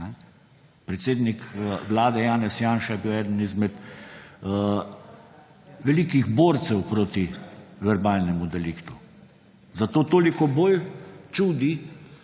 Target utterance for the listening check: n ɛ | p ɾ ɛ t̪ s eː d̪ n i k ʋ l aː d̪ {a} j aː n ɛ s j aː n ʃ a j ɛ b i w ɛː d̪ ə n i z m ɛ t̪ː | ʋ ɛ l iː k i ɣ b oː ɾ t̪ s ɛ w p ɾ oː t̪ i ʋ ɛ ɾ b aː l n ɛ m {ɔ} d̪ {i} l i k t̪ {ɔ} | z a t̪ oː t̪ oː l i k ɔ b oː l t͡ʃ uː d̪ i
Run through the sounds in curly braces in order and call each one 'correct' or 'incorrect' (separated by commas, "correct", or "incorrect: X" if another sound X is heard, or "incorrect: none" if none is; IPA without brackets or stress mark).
incorrect: ɛ, incorrect: u, incorrect: ɛ, incorrect: u